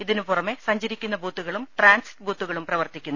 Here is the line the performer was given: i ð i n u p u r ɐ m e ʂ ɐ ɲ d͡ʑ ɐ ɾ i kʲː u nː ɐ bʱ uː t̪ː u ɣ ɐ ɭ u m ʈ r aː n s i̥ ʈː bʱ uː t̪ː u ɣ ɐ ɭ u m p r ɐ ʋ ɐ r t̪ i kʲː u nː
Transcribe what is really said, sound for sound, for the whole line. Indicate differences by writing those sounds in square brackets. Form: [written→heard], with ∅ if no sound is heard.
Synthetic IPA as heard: i ð i n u p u r ɐ m e [ʂ→s] ɐ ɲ d͡ʑ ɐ ɾ i kʲː u nː ɐ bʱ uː t̪ː u ɣ ɐ ɭ u m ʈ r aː n s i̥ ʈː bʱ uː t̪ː u ɣ ɐ ɭ u m p r ɐ ʋ ɐ r t̪ i kʲː u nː